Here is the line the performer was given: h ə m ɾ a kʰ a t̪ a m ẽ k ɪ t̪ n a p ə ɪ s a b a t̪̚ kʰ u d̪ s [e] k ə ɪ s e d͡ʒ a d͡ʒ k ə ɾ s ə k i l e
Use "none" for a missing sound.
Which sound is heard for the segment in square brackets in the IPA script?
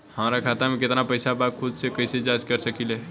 e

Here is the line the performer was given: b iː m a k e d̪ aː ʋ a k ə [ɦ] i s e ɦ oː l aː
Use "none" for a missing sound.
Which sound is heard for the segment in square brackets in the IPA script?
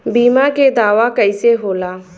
none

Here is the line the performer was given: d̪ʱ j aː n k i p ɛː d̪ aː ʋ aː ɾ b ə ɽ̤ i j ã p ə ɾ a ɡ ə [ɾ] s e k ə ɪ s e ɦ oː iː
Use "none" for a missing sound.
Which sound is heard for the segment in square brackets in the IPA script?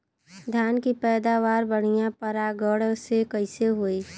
ɽ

